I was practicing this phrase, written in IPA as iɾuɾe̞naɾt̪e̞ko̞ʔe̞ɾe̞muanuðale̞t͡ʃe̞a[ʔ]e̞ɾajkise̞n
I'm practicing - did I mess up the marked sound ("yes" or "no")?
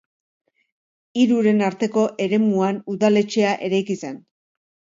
no